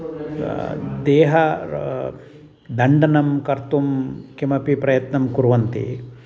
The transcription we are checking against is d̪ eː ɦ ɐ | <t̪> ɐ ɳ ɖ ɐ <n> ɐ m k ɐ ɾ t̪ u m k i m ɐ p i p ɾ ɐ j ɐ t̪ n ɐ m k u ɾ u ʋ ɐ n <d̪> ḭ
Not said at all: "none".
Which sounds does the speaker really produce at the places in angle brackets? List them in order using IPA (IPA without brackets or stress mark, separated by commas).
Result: d̪, n, t̪